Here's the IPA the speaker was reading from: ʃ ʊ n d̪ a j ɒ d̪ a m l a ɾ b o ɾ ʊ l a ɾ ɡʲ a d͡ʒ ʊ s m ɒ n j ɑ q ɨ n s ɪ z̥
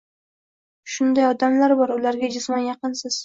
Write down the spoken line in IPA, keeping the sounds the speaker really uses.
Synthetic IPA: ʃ ʊ n d̪ a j ɒ d̪ a m l a ɾ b ɒ ɾ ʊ l a ɾ ɡʲ a d͡ʒ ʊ s m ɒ n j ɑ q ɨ n s ɪ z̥